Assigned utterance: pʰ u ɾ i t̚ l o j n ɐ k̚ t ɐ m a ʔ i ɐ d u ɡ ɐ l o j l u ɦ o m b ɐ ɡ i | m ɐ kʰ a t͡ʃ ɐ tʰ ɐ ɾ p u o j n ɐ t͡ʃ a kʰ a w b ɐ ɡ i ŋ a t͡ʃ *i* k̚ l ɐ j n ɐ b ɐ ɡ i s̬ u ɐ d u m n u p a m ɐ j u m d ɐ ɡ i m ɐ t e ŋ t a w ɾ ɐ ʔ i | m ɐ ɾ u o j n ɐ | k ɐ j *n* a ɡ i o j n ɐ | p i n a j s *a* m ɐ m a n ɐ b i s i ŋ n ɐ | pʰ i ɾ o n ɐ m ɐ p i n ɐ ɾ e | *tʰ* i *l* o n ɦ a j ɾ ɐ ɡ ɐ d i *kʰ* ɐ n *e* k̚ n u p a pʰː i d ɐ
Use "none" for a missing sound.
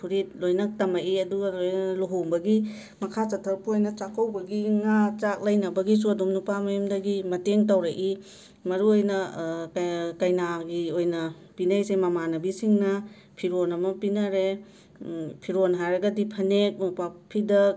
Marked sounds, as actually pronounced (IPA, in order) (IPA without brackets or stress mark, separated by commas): a, n, e, pʰ, ɾ, pʰ, e